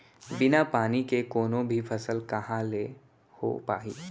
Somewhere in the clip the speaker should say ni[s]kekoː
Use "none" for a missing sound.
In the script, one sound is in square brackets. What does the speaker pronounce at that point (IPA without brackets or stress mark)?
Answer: none